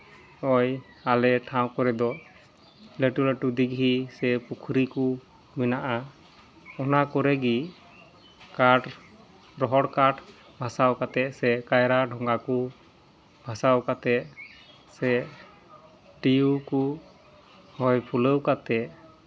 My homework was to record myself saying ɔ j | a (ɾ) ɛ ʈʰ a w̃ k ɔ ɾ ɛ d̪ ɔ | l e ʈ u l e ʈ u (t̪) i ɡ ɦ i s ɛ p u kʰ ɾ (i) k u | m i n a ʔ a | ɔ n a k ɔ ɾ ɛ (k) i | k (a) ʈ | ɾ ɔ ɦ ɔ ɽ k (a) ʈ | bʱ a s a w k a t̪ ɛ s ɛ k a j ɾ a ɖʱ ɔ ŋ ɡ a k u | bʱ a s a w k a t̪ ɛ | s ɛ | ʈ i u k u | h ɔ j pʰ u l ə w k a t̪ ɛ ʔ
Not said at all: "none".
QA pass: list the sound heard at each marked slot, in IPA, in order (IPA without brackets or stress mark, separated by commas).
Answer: l, d̪, i, ɡ, a, a